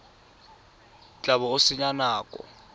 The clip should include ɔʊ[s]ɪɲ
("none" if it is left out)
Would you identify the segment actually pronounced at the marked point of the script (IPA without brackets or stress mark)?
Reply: s